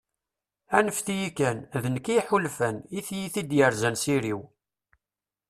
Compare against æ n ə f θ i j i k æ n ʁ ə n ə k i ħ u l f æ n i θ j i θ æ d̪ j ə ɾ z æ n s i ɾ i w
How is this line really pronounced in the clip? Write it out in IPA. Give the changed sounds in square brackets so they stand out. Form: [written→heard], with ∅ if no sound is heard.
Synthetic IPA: æ n ə f θ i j i k æ n [ʁ→ð] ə n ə k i ħ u l f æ n i θ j i θ [æ→i] d̪ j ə ɾ z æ n s i ɾ i w